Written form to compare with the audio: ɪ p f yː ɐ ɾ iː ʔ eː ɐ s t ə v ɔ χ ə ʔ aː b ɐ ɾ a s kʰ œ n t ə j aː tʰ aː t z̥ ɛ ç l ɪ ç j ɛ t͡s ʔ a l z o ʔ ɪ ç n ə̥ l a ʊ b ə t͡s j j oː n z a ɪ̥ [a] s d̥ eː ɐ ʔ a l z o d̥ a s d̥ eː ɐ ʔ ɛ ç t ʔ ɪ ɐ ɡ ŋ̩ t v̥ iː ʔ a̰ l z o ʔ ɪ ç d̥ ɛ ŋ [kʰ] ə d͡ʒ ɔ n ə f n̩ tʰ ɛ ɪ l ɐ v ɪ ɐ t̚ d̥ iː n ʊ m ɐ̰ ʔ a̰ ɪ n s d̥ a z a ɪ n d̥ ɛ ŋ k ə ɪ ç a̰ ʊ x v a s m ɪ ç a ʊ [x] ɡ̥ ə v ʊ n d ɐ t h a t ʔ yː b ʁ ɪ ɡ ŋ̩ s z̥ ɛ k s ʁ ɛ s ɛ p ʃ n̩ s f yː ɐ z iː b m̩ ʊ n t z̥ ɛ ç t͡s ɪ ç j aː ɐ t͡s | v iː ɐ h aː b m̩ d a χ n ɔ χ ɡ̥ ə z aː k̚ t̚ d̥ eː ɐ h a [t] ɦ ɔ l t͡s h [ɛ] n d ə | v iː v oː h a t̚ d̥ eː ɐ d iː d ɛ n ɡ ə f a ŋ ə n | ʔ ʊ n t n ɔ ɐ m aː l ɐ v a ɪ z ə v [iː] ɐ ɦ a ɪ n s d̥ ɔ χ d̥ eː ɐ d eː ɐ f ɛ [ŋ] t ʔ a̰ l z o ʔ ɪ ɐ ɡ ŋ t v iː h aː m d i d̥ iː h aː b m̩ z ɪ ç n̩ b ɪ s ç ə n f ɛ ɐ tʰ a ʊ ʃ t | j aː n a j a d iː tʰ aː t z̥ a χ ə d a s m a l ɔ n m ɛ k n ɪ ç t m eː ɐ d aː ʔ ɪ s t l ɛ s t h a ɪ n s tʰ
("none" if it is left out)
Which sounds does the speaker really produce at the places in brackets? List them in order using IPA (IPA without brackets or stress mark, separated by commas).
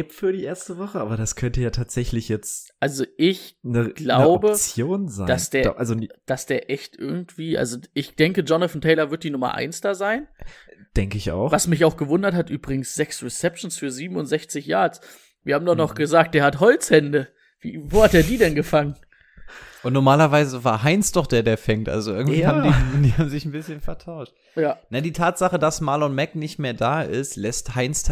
a, k, x, t, ɛ, aː, ŋ